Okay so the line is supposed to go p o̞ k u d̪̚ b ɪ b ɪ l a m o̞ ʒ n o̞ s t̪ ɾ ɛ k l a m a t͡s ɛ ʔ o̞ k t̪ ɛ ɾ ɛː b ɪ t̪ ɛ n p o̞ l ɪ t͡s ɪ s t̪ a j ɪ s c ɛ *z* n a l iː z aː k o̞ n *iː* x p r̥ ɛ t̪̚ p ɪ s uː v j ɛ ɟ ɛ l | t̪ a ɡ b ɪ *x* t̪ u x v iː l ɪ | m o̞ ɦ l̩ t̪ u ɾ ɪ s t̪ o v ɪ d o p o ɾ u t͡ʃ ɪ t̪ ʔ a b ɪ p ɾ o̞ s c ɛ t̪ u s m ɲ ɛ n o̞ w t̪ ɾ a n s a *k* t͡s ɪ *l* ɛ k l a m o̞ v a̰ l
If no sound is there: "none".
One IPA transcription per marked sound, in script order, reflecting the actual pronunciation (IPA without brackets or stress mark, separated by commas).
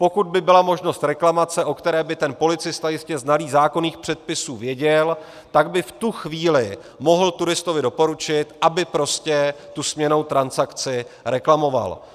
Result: z, iː, f, k, ɾ